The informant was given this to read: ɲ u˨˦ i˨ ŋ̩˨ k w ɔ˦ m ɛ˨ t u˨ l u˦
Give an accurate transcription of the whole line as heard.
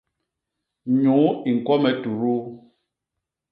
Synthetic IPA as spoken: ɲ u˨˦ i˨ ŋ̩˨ k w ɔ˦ m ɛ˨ t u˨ ɾ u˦